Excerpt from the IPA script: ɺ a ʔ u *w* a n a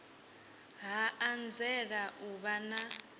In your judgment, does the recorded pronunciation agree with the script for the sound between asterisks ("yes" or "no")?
no